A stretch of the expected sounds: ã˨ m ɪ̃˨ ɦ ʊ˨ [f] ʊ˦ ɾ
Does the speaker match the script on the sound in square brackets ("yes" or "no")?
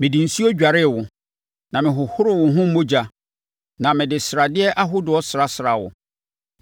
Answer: no